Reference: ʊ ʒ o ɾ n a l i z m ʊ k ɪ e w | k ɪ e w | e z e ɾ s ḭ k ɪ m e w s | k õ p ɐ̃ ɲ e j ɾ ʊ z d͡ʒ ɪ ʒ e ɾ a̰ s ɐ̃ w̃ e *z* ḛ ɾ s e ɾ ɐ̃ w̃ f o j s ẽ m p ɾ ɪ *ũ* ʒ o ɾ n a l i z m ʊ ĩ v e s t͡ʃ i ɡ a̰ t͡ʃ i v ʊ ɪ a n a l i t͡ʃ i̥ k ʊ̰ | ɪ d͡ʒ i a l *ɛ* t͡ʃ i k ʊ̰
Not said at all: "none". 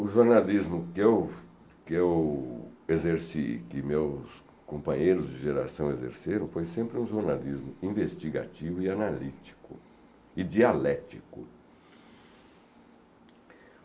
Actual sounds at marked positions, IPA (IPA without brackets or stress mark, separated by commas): z, ũ, ɛ